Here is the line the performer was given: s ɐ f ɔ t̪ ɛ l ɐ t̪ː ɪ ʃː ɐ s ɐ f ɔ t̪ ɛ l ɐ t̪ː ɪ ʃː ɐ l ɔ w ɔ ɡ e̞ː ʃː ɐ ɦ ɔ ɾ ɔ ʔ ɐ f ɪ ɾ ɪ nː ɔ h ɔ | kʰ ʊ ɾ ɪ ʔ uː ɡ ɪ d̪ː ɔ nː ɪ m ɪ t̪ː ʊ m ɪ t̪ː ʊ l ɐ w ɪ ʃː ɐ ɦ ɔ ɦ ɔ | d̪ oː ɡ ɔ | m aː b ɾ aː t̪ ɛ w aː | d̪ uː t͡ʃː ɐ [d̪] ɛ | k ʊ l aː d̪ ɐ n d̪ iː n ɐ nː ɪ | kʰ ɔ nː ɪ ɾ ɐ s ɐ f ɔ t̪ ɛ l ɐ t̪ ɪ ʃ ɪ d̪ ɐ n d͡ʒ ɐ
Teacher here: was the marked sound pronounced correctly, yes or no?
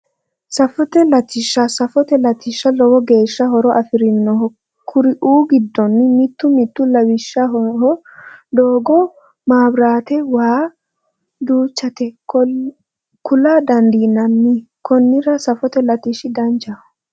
no